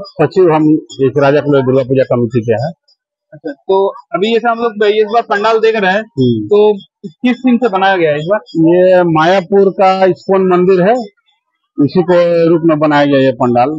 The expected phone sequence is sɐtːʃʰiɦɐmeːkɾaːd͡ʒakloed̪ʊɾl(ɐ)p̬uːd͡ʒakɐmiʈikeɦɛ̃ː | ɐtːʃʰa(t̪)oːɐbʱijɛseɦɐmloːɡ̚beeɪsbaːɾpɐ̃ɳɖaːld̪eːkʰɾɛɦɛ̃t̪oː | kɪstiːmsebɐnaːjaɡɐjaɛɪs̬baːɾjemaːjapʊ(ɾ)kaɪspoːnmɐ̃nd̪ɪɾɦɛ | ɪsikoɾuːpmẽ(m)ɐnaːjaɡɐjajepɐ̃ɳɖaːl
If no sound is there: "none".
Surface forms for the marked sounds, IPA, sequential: a, t̪, ɾ, b

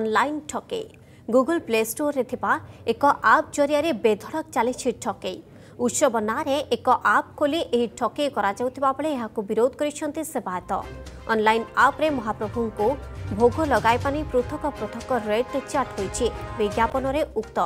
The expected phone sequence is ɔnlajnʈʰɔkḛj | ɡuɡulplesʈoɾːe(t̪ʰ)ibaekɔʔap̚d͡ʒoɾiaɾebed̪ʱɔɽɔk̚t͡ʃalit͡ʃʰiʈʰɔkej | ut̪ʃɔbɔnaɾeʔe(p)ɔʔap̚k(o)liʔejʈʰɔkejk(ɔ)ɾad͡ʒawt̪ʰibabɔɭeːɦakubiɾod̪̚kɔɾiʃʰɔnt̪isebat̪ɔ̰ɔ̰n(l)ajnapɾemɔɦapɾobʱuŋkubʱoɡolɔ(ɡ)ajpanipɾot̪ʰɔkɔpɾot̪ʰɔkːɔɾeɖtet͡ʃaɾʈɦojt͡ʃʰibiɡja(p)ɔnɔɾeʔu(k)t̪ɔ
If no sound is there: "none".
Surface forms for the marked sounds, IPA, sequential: t̪ʰ, k, o, ɔ, l, ɡ, p, k

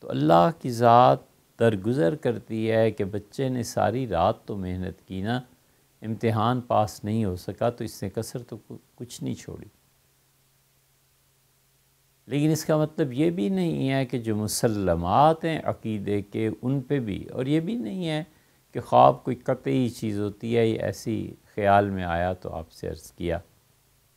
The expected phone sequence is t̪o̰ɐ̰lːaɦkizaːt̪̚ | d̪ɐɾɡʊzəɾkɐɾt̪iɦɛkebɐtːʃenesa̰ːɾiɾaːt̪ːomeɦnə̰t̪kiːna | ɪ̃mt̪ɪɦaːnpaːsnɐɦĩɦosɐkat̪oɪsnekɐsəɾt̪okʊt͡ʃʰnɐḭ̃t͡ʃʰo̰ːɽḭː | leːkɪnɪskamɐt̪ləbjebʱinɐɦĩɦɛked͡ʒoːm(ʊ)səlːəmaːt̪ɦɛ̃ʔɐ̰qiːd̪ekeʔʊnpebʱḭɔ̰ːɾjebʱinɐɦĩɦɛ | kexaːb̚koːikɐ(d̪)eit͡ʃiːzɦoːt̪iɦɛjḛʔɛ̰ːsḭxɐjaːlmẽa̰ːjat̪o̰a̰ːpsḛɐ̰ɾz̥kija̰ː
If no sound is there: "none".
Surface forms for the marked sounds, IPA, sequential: ʊ, t̪

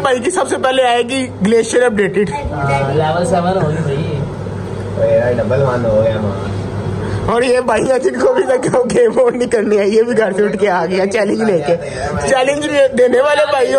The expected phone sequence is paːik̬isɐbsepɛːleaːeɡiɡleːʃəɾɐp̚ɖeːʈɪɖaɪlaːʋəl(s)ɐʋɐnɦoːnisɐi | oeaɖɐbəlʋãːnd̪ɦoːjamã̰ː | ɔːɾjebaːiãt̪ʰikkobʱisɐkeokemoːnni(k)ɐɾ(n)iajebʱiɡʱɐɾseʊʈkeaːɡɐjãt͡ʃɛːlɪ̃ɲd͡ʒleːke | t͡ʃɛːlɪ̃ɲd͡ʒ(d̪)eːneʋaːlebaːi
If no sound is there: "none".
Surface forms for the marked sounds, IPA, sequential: s, k, n, d̪

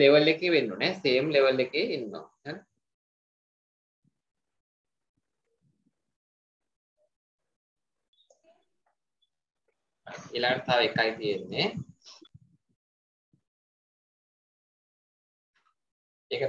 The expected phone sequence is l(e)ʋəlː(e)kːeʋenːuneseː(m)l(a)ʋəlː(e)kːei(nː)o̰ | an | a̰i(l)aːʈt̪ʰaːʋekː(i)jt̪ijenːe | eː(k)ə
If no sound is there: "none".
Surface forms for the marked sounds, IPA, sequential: e, e, m, e, e, nː, l, a, k

